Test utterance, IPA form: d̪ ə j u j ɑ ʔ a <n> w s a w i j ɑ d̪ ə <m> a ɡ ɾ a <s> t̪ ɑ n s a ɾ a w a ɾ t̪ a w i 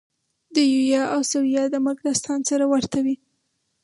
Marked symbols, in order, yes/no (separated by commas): no, yes, yes